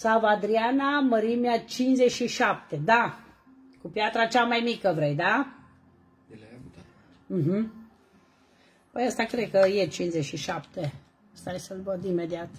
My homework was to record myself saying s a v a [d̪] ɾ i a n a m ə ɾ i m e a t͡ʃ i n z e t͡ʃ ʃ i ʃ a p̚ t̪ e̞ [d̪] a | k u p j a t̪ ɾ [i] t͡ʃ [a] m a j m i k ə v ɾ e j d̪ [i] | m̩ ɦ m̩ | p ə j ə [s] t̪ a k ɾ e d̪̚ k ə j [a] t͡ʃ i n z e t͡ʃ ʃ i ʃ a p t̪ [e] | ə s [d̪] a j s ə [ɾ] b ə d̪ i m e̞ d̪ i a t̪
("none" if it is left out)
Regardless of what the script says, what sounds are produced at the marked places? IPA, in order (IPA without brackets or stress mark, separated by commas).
d̪, d̪, a, a, a, s, e, e, t̪, l